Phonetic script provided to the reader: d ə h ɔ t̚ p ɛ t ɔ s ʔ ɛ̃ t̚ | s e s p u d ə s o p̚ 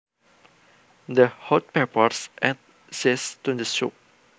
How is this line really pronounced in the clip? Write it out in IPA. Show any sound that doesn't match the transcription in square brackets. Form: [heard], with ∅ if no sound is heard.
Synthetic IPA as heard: d ə h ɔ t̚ p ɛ [p] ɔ s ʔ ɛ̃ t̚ | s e s [t] u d ə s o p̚